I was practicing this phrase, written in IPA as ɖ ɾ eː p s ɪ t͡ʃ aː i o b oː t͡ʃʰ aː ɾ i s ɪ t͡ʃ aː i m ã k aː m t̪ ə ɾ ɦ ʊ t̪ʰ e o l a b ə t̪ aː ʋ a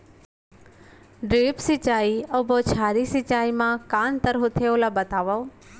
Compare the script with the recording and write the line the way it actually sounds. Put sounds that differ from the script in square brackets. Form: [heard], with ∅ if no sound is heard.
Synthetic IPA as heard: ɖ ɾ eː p s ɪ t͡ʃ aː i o b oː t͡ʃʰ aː ɾ i s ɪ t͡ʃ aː i m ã k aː [n] t̪ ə ɾ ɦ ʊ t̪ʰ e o l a b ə t̪ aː ʋ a